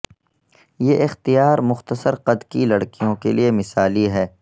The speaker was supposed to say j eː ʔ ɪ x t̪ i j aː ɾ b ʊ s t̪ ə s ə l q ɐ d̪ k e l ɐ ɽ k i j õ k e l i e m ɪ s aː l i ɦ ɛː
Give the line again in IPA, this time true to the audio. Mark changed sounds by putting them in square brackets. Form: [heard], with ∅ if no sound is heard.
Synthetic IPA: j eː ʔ ɪ x t̪ i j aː ɾ [m] ʊ [x] t̪ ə s ə [ɾ] q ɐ d̪ k [i] l ɐ ɽ k i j õ k e l i e m ɪ s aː l i ɦ ɛː